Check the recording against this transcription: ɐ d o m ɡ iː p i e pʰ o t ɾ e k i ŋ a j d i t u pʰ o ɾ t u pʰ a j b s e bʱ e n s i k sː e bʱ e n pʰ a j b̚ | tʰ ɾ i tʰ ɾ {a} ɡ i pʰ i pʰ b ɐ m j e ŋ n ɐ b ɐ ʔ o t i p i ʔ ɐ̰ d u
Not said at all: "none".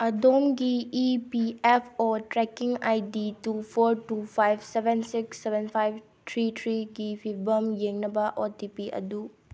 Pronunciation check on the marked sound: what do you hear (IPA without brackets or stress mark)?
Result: i